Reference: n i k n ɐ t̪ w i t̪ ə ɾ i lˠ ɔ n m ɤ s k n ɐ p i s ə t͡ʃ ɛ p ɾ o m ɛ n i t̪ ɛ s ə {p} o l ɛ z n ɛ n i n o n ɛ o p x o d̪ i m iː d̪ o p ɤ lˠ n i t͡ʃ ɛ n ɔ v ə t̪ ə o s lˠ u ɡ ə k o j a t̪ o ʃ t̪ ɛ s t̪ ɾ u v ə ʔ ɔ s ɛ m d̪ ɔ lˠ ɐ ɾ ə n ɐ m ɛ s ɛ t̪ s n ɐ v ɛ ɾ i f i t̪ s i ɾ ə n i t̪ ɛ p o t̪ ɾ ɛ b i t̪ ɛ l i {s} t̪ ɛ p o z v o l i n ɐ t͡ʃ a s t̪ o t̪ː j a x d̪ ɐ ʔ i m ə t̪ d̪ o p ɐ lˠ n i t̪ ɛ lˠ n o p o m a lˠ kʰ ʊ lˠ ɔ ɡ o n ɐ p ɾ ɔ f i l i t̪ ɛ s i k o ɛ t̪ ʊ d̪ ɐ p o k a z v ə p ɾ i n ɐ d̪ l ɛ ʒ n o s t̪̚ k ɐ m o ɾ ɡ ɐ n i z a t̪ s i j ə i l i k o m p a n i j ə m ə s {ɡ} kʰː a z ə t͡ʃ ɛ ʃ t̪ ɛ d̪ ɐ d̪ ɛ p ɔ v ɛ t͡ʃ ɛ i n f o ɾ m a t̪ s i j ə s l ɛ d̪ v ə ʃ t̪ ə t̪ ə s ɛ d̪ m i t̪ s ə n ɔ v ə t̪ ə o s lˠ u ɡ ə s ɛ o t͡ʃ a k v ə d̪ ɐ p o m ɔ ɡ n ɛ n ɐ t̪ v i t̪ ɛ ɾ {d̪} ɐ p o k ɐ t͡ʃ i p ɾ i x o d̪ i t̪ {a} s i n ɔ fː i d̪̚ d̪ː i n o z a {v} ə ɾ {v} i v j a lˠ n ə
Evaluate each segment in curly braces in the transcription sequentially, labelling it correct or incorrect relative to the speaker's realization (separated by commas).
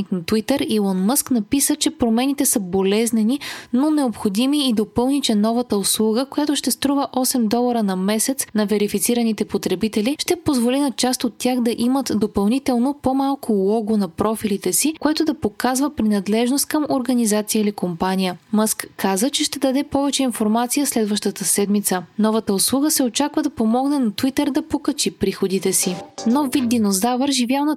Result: incorrect, incorrect, incorrect, correct, incorrect, correct, incorrect